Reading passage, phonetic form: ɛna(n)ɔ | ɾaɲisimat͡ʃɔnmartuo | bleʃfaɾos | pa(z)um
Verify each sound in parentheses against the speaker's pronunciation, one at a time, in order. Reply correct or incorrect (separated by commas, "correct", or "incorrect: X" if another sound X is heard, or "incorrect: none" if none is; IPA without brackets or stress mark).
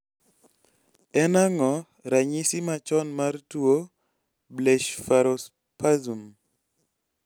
incorrect: ŋ, correct